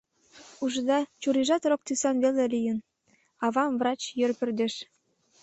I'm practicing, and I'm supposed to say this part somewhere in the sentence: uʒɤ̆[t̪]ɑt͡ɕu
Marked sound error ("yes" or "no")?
yes